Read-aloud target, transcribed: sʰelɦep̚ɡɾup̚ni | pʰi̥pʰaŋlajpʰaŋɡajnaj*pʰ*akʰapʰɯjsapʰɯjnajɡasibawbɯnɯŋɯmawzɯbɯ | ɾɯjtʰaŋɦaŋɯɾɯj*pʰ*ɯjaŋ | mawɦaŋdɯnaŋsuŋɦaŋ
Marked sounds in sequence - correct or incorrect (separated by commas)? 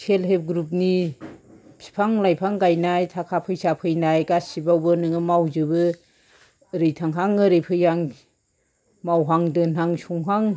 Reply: incorrect, correct